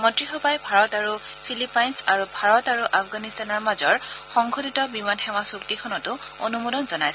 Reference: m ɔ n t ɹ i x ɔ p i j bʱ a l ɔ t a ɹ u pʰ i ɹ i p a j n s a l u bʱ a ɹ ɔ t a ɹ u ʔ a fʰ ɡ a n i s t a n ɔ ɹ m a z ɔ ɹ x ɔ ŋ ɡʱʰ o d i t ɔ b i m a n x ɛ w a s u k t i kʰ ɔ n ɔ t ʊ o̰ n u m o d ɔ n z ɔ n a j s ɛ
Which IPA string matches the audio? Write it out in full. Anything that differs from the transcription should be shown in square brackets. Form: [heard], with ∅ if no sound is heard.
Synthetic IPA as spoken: m ɔ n t ɹ i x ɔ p [a] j bʱ a [ɹ] ɔ t a ɹ u pʰ i [l] i p a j n s a [ɹ] u bʱ a ɹ ɔ t a ɹ u ʔ a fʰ ɡ a n i s t a n ɔ ɹ m a z ɔ ɹ x ɔ ŋ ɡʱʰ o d i t ɔ b i m a n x ɛ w a s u k t i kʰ ɔ n ɔ t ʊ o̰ n u m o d ɔ n z ɔ n a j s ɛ